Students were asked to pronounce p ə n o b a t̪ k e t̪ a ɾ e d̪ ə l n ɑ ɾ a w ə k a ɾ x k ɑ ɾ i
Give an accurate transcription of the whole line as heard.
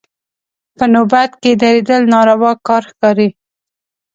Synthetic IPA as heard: p ə n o b a t̪ k e d̪ a ɾ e d̪ ə l n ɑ ɾ a w ɑ k ɑ ɾ x k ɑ ɾ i